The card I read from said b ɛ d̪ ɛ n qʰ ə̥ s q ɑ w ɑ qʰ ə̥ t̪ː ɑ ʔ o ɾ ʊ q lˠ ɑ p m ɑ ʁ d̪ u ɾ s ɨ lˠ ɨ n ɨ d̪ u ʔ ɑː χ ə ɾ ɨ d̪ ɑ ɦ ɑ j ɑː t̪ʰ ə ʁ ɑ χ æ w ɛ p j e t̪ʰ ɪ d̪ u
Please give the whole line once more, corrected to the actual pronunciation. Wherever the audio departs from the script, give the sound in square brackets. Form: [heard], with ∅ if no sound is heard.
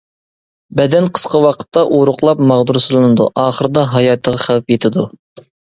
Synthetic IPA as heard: b ɛ d̪ ɛ n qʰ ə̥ s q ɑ w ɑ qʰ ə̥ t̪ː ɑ ʔ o ɾ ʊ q lˠ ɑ p m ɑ ʁ d̪ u ɾ s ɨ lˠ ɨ n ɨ d̪ u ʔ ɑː χ ə ɾ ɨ d̪ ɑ ɦ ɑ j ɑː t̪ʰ ə ʁ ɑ χ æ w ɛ p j e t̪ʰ ɪ d̪ u